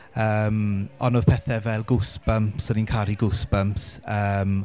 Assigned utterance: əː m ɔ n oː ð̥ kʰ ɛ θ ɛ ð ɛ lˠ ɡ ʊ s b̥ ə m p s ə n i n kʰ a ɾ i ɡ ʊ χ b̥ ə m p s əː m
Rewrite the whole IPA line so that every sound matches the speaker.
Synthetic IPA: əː m ɔ n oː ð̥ pʰ ɛ θ ɛ v ɛ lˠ ɡ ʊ s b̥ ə m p s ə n i n kʰ a ɾ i ɡ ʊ s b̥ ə m p s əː m